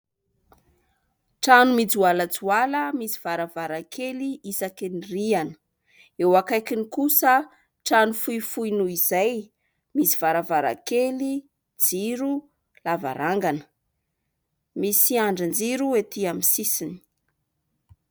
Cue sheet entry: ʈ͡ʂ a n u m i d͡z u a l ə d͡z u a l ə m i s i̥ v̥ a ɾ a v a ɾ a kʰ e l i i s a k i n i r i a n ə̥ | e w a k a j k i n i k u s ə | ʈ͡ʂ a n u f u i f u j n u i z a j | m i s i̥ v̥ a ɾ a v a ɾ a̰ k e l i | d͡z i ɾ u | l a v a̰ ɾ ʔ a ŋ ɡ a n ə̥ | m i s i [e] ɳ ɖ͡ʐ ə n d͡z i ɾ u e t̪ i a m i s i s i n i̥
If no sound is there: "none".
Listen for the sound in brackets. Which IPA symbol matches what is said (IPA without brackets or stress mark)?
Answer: a